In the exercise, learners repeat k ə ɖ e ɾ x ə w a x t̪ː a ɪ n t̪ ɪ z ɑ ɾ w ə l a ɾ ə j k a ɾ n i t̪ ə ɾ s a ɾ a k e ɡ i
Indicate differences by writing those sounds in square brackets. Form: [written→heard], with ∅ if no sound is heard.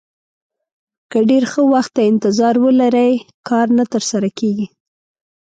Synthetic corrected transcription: k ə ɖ e ɾ x ə w a x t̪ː a ɪ n t̪ ɪ z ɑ ɾ w ə l a ɾ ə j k [a→ɑ] ɾ n [i→a] t̪ ə ɾ s a ɾ a k e ɡ i